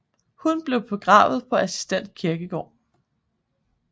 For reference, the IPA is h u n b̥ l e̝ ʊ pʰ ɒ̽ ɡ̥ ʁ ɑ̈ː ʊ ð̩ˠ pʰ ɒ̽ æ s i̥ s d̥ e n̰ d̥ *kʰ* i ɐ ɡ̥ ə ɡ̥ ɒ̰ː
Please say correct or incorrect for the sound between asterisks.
correct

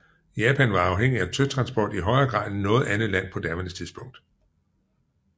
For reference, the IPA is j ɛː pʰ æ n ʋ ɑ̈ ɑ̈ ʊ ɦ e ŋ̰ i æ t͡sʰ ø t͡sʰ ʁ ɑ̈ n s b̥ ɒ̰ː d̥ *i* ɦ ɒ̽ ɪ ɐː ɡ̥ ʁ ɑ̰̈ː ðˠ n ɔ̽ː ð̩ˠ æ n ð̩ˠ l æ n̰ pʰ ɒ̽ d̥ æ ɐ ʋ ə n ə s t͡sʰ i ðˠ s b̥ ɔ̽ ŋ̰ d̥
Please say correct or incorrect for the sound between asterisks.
correct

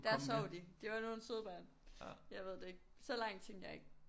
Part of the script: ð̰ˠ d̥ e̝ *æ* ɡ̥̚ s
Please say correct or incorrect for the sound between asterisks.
incorrect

